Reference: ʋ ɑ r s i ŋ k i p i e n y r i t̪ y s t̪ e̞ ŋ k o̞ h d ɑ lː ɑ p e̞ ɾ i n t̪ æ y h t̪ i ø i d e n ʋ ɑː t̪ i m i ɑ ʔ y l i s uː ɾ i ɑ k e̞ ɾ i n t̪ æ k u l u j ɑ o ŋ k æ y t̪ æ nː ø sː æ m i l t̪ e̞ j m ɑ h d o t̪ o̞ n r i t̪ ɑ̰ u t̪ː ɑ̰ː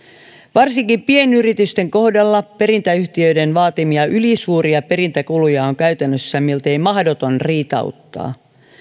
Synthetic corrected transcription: ʋ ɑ r s i ŋ k i p i e n y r i t̪ y s t̪ e̞ ŋ k o̞ h d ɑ lː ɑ p e̞ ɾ i n t̪ æ y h t̪ i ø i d e n ʋ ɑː t̪ i m i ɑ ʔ y l i s uː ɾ i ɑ p e̞ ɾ i n t̪ æ k u l u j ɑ o ŋ k æ y t̪ æ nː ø sː æ m i l t̪ e̞ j m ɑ h d o t̪ o̞ n r iː t̪ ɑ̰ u t̪ː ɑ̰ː